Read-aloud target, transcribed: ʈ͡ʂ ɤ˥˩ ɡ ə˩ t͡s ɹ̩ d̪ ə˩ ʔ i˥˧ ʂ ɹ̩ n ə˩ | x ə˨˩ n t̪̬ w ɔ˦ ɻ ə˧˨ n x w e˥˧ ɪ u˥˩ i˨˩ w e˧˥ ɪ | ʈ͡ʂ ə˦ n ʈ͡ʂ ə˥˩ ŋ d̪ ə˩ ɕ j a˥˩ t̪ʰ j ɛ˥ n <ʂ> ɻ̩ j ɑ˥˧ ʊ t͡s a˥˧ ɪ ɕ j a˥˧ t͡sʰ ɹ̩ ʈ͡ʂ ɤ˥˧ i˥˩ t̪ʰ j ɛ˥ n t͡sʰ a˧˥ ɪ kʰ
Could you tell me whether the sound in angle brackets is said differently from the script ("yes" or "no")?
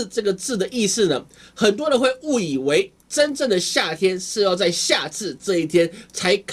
no